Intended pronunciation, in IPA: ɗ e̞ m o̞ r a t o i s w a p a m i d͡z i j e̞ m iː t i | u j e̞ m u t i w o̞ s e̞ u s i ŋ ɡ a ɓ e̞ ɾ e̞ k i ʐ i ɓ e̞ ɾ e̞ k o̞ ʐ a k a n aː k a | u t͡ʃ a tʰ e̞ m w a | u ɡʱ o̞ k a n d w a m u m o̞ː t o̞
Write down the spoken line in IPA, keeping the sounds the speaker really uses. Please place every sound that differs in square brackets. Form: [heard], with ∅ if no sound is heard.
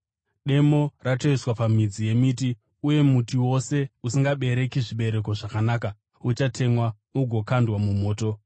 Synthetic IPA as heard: ɗ e̞ m o̞ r a t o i s w a p a m i d͡z i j e̞ m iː t i | u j e̞ m u t i w o̞ s e̞ u s i ŋ ɡ a ɓ e̞ ɾ e̞ k i ʐ i ɓ e̞ ɾ e̞ k o̞ ʐ a k a n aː k a | u t͡ʃ a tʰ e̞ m w a | u ɡʱ o̞ k a n d w a m u m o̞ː t o̞